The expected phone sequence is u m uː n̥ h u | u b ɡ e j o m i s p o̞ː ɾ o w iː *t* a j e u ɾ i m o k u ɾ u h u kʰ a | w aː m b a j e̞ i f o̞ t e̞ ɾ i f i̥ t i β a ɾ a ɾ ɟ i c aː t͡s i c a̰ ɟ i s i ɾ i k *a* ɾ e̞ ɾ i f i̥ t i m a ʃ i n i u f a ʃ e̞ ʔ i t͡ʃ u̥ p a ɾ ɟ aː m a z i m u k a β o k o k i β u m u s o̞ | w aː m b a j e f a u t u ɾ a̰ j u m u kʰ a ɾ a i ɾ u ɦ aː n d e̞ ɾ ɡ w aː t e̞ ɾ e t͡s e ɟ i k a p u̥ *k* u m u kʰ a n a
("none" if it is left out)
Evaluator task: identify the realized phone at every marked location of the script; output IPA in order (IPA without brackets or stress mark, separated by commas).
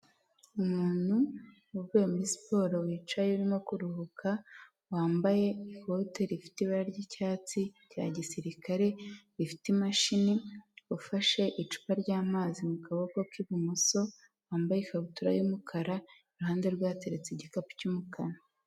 t͡ʃ, a, c